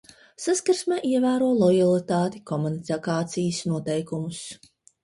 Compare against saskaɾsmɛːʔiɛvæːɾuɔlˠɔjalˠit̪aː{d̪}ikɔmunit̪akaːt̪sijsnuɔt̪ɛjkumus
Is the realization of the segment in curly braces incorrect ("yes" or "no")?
yes